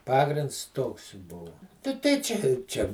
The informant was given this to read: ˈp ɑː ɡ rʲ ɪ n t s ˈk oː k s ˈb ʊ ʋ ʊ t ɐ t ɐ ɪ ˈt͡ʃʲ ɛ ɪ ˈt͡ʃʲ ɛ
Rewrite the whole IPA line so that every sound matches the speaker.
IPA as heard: ˈp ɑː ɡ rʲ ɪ n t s ˈt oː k s ˈb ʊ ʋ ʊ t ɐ t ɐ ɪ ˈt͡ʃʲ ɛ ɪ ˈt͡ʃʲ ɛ